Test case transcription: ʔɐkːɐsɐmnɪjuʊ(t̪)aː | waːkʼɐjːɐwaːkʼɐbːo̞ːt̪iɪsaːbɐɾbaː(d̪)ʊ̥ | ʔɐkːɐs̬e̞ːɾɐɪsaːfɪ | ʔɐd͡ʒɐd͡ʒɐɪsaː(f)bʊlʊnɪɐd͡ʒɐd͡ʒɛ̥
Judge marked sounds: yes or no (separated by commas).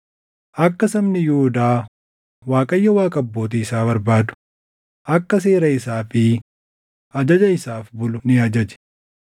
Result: no, yes, yes